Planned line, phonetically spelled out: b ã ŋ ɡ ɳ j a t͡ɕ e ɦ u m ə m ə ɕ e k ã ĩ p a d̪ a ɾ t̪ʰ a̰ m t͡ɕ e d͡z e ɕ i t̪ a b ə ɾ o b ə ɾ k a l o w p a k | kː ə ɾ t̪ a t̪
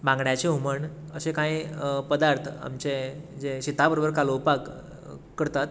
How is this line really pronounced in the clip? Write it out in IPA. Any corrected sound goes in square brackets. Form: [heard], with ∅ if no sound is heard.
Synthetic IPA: b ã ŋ ɡ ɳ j a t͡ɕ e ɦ u m ə [ɳ] ə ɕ e k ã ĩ p [ə] d̪ a ɾ t̪ʰ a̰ m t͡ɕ e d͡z e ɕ i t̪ a b ə ɾ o b ə ɾ k a l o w p a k | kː ə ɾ t̪ a t̪